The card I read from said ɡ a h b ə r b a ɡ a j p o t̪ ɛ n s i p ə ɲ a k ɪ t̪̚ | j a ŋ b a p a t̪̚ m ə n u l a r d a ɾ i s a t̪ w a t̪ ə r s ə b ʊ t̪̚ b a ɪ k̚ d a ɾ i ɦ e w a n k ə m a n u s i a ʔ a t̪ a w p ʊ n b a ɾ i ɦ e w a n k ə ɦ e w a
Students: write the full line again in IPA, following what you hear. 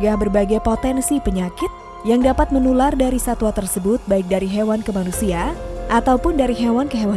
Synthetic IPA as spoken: ɡ a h b ə r b a ɡ a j p o t̪ ɛ n s i p ə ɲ a k ɪ t̪̚ | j a ŋ d a p a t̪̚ m ə n u l a r d a ɾ i s a t̪ w a t̪ ə r s ə b ʊ t̪̚ b a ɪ k̚ d a ɾ i ɦ e w a n k ə m a n u s i a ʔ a t̪ a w p ʊ n d a ɾ i ɦ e w a n k ə ɦ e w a